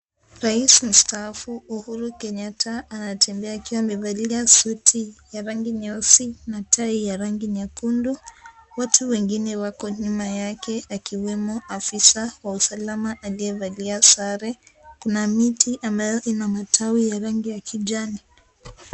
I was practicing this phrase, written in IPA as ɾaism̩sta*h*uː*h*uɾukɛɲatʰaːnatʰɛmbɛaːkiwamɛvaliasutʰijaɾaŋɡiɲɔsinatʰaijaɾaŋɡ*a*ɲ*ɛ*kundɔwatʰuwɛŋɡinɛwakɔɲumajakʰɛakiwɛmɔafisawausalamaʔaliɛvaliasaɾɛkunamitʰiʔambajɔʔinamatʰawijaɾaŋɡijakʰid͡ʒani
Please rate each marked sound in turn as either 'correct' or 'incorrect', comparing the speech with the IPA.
incorrect, correct, incorrect, incorrect

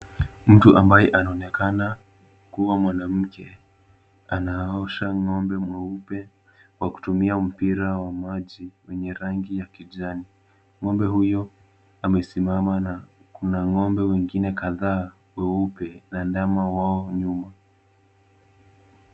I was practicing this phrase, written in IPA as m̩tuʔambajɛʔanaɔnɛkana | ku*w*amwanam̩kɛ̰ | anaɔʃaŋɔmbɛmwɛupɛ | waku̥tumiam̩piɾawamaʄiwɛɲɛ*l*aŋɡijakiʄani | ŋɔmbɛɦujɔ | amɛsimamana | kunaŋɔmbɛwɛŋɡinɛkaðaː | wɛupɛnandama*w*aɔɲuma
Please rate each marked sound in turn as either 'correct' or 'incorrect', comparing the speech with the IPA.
correct, incorrect, correct

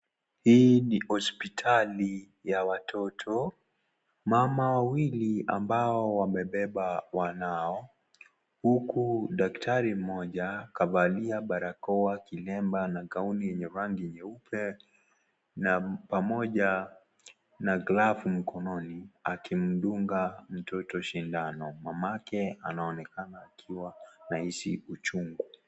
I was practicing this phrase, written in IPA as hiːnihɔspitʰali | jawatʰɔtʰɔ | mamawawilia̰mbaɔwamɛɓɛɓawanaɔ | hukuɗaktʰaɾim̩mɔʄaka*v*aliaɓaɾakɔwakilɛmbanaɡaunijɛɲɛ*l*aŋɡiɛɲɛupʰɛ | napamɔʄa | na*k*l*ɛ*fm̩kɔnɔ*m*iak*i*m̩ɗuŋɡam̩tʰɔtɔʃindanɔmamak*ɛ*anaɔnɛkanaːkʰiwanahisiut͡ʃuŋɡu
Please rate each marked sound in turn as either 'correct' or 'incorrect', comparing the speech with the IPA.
correct, incorrect, incorrect, incorrect, incorrect, correct, correct

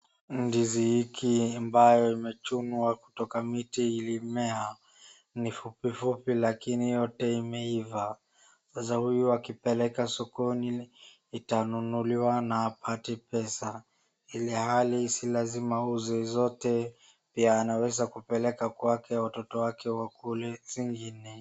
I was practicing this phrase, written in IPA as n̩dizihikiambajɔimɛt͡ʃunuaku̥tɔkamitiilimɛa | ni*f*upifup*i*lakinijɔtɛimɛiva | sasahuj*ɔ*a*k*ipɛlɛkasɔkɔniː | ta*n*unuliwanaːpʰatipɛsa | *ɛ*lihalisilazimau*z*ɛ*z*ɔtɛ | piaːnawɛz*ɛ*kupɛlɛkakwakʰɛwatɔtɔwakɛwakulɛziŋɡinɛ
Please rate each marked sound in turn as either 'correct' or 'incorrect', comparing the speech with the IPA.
correct, correct, incorrect, correct, correct, incorrect, correct, correct, incorrect

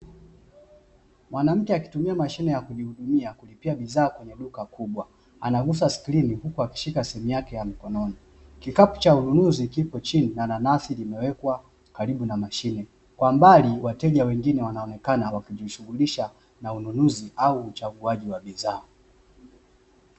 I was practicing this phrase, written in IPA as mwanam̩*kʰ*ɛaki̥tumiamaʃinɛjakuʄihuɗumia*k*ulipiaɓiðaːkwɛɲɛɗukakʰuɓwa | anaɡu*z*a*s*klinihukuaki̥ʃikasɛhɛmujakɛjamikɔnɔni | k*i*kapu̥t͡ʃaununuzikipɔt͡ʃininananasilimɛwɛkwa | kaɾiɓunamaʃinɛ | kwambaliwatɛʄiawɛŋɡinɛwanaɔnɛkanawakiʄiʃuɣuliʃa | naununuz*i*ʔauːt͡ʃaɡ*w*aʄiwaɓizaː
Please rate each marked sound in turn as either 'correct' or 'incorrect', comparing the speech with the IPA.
incorrect, correct, incorrect, correct, correct, correct, incorrect

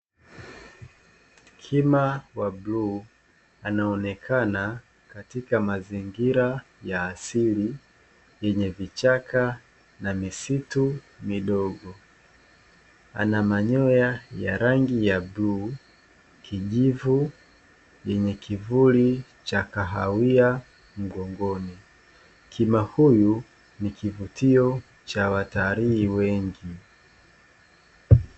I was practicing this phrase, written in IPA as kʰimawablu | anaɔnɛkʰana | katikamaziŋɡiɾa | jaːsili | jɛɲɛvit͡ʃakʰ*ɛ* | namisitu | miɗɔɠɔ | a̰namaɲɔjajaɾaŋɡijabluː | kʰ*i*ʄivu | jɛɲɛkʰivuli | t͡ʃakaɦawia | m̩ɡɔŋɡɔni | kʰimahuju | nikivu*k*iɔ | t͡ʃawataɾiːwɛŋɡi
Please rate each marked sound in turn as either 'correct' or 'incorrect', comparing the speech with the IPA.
incorrect, correct, incorrect

